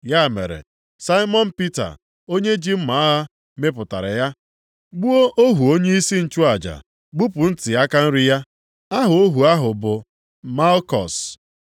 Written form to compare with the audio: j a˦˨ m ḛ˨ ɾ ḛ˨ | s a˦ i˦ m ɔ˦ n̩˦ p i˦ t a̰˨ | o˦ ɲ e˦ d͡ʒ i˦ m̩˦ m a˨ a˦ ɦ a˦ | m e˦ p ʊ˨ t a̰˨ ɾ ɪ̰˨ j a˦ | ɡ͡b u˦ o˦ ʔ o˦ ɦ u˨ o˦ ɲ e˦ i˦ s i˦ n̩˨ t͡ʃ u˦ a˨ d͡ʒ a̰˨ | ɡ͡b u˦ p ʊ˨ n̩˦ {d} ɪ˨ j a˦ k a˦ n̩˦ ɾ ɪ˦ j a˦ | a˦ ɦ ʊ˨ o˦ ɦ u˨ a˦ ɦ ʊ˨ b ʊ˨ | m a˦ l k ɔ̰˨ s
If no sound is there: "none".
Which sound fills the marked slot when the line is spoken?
t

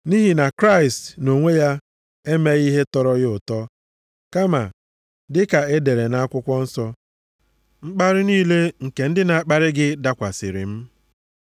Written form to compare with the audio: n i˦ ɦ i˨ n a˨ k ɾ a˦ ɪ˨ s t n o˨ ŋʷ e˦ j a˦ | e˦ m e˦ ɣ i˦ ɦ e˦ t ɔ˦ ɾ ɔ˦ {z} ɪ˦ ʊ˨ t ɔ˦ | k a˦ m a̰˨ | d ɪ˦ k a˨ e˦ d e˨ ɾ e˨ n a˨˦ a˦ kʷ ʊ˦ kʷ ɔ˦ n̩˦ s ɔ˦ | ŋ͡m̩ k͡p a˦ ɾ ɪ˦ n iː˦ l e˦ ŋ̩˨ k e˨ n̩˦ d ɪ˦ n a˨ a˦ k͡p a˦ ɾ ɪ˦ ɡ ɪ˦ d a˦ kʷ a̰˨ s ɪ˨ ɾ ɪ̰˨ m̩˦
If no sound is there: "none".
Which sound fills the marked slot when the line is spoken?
ɣ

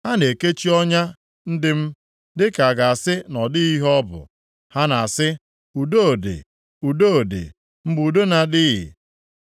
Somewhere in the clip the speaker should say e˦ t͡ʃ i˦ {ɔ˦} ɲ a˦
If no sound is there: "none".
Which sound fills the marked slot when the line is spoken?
ɔ˦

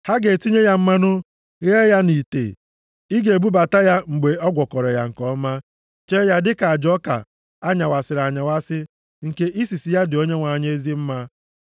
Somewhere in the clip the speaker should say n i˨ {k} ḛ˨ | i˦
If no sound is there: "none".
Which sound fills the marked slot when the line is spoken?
t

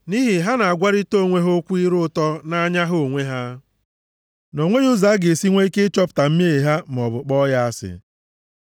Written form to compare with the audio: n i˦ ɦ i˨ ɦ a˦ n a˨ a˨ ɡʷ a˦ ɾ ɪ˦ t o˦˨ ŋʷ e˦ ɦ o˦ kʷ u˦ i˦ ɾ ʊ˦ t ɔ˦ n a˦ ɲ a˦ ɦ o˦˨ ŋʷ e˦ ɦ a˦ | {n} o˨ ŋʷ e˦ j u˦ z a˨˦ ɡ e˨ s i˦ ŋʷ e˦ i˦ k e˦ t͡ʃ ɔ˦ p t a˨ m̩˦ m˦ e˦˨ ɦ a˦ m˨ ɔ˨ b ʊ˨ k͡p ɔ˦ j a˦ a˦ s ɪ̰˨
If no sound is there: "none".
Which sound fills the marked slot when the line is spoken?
n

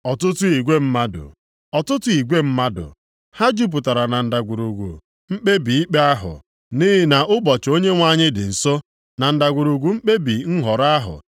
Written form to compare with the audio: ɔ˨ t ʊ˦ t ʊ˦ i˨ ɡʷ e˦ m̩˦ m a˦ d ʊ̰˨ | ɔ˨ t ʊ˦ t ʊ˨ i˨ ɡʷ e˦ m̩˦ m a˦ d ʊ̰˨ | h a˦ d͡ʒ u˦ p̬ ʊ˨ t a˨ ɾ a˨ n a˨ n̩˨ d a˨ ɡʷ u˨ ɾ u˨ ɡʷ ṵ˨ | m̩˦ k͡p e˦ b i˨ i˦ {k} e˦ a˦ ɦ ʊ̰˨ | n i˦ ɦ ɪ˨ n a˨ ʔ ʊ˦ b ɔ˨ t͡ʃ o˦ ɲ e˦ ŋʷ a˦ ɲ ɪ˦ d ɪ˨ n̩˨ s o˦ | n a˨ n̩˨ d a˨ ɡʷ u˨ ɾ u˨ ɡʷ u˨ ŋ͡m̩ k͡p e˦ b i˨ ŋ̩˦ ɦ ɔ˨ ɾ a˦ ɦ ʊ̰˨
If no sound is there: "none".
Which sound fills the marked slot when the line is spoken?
k͡p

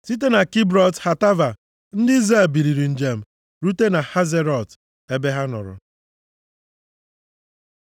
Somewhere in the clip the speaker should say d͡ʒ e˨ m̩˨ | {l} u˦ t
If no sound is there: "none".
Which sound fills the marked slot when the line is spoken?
ɾ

